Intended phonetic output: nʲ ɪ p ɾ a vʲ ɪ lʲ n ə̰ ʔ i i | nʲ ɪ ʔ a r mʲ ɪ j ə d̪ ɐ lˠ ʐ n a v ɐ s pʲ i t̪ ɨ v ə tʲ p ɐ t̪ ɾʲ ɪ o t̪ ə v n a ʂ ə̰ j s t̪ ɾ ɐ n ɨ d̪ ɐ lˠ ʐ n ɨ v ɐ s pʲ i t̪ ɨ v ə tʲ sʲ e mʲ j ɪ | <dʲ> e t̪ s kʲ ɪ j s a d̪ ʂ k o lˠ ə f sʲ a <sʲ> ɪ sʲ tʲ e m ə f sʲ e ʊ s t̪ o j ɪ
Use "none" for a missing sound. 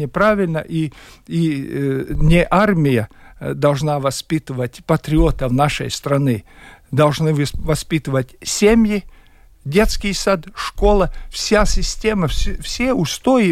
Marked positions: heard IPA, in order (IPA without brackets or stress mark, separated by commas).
dʲ, sʲ